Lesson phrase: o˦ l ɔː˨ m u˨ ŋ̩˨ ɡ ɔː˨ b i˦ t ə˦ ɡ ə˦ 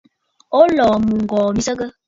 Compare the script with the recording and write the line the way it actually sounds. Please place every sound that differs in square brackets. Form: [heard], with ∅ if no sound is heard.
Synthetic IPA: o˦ l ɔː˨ m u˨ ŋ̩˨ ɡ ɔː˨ [m] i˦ [s] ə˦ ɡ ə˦